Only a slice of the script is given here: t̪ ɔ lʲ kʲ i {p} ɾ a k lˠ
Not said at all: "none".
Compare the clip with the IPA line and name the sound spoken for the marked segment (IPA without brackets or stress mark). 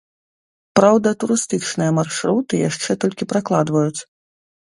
p